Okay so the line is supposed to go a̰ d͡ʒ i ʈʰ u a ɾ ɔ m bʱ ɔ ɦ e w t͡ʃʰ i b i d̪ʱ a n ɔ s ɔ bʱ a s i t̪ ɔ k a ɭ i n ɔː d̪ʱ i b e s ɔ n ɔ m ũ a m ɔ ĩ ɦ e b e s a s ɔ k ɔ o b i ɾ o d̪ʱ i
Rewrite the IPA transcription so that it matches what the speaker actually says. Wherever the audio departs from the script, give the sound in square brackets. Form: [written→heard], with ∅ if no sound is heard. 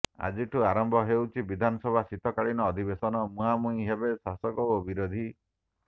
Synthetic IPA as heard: a̰ d͡ʒ i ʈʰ u a ɾ ɔ m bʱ ɔ ɦ e w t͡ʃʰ i b i d̪ʱ a n ɔ s ɔ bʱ a s i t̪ ɔ k a ɭ i n ɔː d̪ʱ i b e s ɔ n ɔ m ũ a m [ɔ→u] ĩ ɦ e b e s a s ɔ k ɔ o b i ɾ o d̪ʱ i